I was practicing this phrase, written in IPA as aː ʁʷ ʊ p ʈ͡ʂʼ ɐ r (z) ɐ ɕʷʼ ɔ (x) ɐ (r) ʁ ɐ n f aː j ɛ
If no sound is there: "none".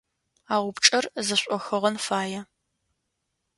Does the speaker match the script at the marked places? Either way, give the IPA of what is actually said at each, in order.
z, x, none

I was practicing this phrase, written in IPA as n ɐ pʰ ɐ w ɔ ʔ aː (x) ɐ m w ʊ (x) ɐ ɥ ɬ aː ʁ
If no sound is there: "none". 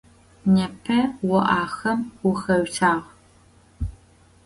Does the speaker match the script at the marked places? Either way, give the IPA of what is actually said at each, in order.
x, x

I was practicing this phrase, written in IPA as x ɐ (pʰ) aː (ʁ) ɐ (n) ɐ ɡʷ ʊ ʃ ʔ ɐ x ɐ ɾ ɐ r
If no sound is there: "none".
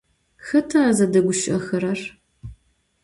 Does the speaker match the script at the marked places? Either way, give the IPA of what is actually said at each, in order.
tʰ, z, d

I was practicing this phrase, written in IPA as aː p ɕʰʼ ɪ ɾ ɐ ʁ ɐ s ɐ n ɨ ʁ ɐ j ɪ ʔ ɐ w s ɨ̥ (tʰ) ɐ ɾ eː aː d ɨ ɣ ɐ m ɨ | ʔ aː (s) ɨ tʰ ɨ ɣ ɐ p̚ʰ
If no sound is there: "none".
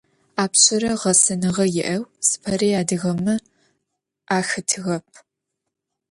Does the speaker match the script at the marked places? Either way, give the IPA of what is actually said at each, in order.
pʰ, x

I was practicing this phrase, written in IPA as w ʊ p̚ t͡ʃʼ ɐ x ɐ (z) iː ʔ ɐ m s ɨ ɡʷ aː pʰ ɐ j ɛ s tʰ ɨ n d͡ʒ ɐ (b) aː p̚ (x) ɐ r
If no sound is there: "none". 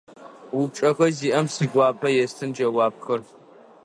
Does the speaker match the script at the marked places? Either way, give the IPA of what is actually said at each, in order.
z, w, x

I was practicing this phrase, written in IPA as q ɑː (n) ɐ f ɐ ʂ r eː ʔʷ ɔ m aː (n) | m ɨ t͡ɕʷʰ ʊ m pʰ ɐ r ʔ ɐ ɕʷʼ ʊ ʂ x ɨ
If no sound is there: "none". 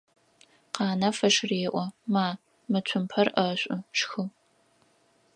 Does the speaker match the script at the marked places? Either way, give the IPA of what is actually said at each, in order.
n, none

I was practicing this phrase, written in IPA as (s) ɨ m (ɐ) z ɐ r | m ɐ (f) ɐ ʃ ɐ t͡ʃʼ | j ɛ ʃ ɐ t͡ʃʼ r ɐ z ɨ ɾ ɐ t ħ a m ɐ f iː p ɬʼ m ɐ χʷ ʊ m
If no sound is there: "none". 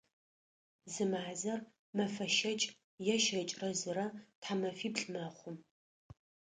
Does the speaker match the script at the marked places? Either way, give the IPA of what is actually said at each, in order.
z, a, f

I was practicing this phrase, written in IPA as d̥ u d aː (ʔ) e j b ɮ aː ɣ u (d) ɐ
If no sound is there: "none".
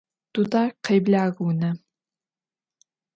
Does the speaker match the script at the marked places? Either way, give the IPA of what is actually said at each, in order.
q, n

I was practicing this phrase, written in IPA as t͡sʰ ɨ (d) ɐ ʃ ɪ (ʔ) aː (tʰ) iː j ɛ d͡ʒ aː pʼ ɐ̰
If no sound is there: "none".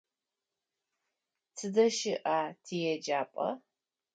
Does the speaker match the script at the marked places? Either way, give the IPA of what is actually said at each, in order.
d, ʔ, tʰ

